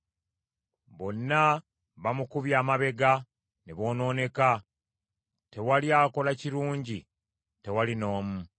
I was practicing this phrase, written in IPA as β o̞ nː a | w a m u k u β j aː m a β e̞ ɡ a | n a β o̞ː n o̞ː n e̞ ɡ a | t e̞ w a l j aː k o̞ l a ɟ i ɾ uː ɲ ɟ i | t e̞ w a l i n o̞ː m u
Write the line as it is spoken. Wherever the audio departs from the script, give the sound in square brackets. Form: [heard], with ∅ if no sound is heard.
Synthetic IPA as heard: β o̞ nː a | [β] a m u k u β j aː m a β e̞ ɡ a | n [e] β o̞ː n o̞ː n e̞ [k] a | t e̞ w a l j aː k o̞ l a [c] i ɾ uː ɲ ɟ i | t e̞ w a l i n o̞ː m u

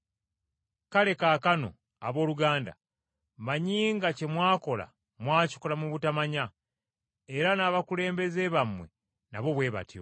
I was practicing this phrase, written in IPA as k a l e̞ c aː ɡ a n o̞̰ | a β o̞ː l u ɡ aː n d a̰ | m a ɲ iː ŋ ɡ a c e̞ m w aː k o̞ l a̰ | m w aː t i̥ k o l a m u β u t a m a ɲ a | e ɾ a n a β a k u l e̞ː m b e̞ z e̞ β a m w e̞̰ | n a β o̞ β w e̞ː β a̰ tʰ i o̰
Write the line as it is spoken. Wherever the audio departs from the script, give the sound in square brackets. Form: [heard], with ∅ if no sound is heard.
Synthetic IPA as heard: k a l e̞ [k] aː [k] a n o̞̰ | a β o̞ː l u ɡ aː n d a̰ | m a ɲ iː ŋ ɡ a c e̞ m w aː k o̞ l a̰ | m w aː [c] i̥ k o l a m u β u t a m a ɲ a | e ɾ a n a β a k u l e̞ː m b e̞ z e̞ β a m w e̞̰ | n a β o̞ β w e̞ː β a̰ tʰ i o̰

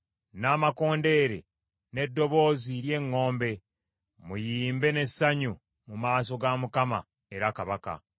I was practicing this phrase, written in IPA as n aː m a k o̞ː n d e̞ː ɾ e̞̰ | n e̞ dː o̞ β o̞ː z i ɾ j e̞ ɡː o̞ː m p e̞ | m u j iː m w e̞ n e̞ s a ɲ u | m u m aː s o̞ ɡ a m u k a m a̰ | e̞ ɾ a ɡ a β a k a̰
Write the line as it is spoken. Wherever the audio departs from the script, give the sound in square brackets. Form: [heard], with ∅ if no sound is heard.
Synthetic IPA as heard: n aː m a k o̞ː n d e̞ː ɾ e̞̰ | n e̞ dː o̞ β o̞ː z i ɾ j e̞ [ŋː] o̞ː m [b] e̞ | m u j iː m [b] e̞ n e̞ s a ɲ u | m u m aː s o̞ ɡ a m u k a m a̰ | e̞ ɾ a [k] a β a k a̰

